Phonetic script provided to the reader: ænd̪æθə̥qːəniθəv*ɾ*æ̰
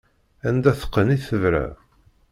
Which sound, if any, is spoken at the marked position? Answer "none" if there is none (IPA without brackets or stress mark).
ɾ